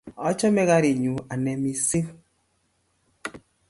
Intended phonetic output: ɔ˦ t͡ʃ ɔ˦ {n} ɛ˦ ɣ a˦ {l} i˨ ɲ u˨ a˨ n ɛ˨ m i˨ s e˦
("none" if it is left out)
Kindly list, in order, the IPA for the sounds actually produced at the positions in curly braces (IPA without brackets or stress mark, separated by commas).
m, ɾ